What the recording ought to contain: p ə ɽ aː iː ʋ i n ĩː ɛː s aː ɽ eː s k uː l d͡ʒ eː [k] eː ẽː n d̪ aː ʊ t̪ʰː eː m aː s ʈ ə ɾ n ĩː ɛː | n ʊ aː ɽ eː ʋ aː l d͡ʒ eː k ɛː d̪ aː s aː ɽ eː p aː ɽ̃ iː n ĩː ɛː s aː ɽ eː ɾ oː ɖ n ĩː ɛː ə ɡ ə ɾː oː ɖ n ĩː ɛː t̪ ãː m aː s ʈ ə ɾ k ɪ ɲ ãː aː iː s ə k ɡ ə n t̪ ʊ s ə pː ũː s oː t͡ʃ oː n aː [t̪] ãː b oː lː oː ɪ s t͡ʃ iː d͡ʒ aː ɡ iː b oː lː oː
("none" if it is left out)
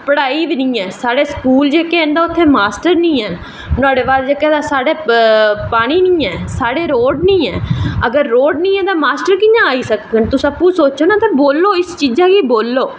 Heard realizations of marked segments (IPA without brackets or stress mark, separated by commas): k, t̪